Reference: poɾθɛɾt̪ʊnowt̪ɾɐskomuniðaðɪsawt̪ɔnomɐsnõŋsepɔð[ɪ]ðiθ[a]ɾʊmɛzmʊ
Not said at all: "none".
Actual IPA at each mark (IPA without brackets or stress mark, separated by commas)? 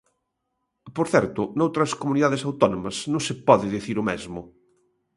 ɪ, i